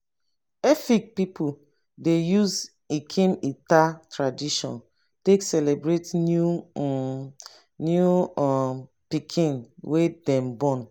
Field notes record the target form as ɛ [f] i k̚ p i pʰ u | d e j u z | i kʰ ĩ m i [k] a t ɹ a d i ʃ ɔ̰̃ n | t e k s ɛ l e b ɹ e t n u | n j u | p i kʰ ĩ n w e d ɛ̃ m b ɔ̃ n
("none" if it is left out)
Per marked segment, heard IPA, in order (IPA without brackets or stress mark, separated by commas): f, t